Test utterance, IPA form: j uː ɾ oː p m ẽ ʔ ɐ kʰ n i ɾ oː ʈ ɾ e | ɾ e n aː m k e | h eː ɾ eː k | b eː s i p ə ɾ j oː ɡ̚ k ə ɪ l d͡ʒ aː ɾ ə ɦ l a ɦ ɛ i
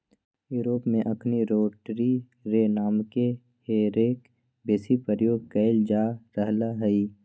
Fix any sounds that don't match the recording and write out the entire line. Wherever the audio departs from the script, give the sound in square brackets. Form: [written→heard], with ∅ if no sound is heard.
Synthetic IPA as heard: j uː ɾ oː p m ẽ ʔ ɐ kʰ n i ɾ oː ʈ ɾ [e→i] | ɾ e n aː m k e | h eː ɾ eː k | b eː s i p ə ɾ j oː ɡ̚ k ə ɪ l d͡ʒ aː ɾ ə ɦ l a ɦ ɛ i